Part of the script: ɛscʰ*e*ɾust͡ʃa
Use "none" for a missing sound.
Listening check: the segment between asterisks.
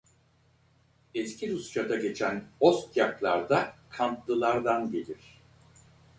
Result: i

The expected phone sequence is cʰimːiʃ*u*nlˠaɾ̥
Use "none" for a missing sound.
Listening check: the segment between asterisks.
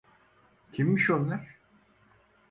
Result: o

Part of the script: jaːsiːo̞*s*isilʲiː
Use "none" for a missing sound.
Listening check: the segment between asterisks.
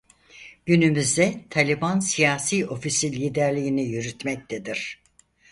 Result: f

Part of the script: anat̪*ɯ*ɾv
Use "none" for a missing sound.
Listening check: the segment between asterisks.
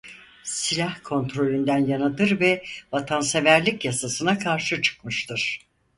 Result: ɯ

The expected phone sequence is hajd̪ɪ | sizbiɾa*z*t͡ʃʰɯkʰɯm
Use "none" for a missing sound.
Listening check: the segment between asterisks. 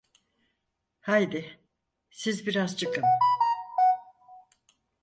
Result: z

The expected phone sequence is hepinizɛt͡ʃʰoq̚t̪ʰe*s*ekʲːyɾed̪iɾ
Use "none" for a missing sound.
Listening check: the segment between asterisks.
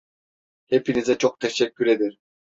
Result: ʃ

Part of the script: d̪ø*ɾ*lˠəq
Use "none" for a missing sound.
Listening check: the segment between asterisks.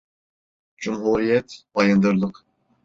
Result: ɾ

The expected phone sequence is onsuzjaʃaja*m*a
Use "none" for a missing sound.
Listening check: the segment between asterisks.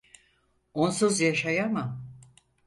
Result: m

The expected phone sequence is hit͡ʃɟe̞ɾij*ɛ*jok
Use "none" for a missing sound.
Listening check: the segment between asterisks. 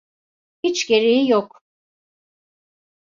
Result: i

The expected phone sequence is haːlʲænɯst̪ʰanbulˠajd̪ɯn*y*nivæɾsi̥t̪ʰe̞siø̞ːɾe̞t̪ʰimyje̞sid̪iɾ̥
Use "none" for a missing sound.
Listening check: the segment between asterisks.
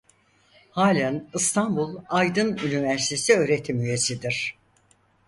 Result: y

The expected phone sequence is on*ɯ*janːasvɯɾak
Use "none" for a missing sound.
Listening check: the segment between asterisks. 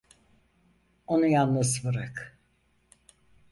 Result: u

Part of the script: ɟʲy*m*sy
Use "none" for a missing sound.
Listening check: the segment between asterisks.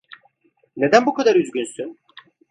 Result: n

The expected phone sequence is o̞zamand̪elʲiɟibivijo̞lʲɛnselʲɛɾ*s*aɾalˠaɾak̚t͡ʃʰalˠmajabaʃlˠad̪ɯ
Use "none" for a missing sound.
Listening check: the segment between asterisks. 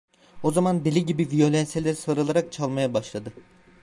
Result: s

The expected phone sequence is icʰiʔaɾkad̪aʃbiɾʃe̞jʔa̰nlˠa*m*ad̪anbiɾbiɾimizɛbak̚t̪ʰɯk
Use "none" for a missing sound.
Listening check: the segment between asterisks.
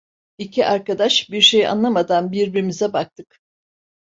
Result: m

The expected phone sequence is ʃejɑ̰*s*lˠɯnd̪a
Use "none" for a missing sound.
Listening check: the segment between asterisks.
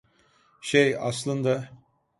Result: s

